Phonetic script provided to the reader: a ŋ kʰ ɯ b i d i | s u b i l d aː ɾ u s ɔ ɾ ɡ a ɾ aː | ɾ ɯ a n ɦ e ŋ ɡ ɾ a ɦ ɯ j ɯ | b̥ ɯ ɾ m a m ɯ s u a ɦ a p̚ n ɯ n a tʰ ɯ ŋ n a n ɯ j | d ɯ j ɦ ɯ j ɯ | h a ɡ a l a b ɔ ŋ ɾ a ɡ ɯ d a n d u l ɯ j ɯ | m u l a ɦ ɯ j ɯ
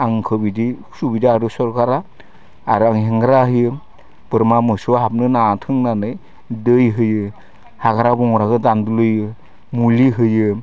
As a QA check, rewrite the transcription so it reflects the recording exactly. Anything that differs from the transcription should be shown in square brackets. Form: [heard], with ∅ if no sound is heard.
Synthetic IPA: a ŋ kʰ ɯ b i d i | s u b i [∅] d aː ɾ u s ɔ ɾ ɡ a ɾ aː | ɾ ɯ a [ŋ] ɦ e ŋ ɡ ɾ a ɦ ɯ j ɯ | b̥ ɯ ɾ m a m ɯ s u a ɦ a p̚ n ɯ n a tʰ ɯ ŋ n a n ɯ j | d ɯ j ɦ ɯ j ɯ | h a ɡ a [ɾ] a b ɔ ŋ ɾ a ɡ ɯ d a n d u l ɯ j ɯ | m u l [i] ɦ ɯ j ɯ